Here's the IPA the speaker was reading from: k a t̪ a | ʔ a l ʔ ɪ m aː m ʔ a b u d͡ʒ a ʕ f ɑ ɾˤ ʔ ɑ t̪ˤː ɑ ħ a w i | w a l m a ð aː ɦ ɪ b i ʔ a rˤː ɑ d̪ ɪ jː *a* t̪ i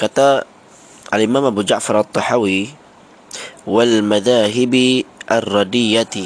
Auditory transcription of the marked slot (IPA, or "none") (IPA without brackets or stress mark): a